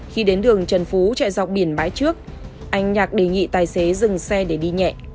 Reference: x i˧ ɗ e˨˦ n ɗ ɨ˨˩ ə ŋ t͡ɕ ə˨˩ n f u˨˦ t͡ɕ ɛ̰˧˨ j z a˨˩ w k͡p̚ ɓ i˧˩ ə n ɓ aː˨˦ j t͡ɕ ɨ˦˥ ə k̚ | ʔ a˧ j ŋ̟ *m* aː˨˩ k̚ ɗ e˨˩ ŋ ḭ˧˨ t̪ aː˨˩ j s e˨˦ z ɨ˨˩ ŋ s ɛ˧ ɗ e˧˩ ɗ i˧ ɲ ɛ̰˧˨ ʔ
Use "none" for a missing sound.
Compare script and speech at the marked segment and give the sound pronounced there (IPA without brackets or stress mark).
ɲ